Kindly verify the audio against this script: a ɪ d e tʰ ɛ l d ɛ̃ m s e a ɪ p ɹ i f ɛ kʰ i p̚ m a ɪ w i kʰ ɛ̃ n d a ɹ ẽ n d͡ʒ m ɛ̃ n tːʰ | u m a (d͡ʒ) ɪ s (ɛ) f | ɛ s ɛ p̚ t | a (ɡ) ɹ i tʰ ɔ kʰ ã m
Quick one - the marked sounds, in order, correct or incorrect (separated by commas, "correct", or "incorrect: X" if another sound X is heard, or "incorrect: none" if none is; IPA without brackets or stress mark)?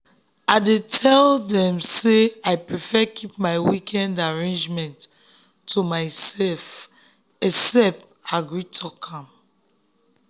incorrect: none, correct, correct